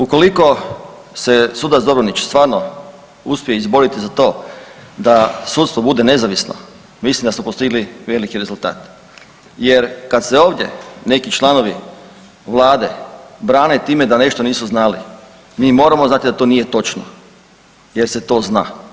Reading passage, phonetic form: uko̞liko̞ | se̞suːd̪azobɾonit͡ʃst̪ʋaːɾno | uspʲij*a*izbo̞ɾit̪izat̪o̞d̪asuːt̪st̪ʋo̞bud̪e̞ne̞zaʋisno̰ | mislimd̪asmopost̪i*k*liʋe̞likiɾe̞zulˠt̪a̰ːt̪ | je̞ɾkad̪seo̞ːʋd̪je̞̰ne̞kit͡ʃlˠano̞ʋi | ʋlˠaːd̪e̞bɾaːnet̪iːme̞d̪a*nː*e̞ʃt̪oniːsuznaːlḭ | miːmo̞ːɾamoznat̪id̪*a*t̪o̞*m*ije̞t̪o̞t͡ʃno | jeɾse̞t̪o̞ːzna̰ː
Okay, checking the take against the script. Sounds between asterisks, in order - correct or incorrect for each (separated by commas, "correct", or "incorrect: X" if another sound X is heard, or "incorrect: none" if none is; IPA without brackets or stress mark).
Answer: incorrect: e, incorrect: ɡ, incorrect: n, correct, incorrect: n